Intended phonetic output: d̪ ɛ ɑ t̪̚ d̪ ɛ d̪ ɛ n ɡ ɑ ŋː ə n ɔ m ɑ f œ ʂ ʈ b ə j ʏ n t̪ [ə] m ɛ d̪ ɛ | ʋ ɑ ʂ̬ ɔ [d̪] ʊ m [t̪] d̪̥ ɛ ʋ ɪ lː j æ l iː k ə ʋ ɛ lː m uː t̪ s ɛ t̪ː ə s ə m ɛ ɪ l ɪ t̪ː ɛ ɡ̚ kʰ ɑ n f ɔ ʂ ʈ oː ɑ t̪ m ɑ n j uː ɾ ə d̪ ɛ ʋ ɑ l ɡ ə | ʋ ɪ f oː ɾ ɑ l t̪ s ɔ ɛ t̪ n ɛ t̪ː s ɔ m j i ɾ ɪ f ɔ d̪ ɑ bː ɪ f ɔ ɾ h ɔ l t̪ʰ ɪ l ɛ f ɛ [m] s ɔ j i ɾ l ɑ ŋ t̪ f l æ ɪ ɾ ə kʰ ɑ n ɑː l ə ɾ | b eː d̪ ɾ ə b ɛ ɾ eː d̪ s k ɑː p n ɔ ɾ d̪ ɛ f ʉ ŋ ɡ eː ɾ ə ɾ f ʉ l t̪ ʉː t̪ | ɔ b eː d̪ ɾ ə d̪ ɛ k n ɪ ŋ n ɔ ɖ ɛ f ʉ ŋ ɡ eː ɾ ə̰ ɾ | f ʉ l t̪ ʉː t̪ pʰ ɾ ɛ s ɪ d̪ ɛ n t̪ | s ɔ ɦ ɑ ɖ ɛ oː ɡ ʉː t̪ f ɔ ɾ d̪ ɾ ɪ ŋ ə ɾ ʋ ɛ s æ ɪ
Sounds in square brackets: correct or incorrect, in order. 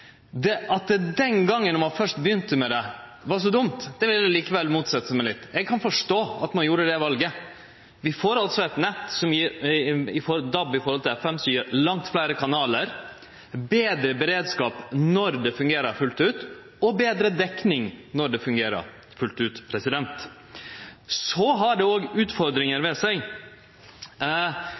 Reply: correct, correct, correct, correct

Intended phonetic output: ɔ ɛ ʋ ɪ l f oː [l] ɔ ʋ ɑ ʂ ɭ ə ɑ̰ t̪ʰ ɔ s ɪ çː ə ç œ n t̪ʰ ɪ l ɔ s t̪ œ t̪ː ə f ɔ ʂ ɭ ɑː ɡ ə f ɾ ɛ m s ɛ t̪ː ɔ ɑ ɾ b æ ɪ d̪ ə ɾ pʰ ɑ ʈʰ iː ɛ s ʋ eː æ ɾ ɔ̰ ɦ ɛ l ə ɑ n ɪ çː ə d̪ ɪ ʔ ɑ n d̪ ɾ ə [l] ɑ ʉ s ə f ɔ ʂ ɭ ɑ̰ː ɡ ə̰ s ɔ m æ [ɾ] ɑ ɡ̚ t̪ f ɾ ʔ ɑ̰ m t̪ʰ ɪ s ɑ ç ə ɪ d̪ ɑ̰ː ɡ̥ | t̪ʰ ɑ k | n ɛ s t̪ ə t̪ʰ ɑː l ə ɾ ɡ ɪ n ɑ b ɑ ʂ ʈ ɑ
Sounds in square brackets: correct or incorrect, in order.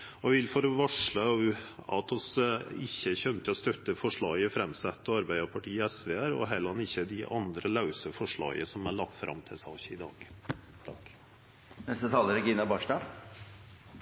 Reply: incorrect: ɾ, correct, incorrect: ɭ

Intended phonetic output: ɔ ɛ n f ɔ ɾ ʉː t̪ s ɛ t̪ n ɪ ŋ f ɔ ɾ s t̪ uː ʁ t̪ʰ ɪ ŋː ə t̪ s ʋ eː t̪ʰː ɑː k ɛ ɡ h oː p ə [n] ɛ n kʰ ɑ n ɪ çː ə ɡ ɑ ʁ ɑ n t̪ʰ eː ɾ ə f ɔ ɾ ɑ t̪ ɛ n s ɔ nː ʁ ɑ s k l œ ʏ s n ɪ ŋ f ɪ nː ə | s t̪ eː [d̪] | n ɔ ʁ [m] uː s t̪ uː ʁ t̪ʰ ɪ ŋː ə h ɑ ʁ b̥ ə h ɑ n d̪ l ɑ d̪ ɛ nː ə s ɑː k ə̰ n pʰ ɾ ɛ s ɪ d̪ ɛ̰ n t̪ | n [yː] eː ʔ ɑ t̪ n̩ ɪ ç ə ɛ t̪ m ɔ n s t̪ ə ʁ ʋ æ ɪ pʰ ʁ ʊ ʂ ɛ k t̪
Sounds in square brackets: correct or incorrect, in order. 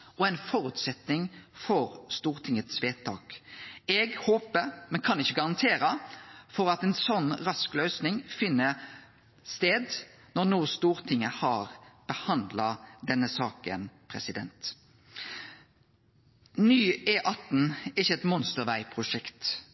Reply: incorrect: m, correct, incorrect: n, correct

